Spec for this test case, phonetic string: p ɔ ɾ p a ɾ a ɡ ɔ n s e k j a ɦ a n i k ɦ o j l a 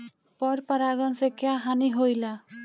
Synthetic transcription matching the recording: p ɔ ɾ p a ɾ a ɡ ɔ n s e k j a ɦ a n i ɦ o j l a